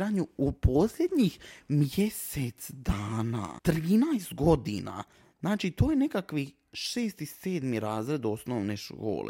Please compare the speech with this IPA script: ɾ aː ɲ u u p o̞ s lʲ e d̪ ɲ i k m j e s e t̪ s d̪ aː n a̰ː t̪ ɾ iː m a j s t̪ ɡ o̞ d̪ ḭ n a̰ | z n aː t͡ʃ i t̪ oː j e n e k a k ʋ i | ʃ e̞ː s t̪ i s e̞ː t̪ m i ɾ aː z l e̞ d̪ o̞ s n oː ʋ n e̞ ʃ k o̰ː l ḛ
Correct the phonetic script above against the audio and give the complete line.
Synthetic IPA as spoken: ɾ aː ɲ u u p o̞ s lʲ e d̪ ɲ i x m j e s e t̪ s d̪ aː n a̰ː t̪ ɾ iː n a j s t̪ ɡ o̞ d̪ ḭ n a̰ | z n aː t͡ʃ i t̪ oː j e n e k a k ʋ i | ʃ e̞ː s t̪ i s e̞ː d̪ m i ɾ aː z ɾ e̞ d̪ o̞ s n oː ʋ n e̞ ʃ k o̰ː l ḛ